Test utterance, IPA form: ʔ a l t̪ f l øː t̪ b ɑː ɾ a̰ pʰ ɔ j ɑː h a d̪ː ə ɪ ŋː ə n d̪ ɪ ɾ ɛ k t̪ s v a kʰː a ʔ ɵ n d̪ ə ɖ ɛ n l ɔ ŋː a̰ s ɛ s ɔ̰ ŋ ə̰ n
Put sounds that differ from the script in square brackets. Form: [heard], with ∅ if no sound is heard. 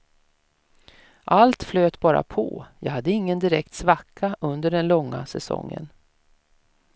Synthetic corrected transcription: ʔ a l t̪ f l øː t̪ b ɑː ɾ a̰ pʰ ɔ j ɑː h a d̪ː ə ɪ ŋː ə n d̪ ɪ ɾ ɛ k t̪ s v a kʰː a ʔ ɵ n d̪ ə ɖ ɛ n l ɔ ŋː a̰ s ɛ s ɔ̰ [ŋː] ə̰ n